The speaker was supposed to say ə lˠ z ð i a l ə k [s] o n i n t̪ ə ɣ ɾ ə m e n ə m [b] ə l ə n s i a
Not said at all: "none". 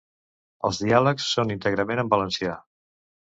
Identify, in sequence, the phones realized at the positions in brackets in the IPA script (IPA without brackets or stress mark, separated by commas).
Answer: sː, b